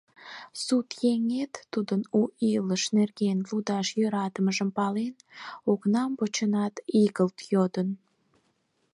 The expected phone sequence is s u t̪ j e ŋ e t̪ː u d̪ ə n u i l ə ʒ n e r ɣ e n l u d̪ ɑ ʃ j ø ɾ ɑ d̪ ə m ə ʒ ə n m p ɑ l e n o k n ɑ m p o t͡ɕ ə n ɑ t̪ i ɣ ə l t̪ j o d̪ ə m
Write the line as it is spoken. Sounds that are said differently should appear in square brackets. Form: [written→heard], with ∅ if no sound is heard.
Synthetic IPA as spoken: s u t̪ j e ŋ e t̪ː u d̪ ə n u i l ə [ʒ→ʃ] n e r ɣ e n l u d̪ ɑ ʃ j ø ɾ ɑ [d̪→t̪] ə m ə ʒ ə [n→∅] m p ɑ l e n o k n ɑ m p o t͡ɕ ə n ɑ t̪ i ɣ ə l t̪ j o d̪ ə [m→n]